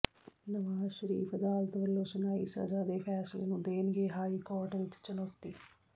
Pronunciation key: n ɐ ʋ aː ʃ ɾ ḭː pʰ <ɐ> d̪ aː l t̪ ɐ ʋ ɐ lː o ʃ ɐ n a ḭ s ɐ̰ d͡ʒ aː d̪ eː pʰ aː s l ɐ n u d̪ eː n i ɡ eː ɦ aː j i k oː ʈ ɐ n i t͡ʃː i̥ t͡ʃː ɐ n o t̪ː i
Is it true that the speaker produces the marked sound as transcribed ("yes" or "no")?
yes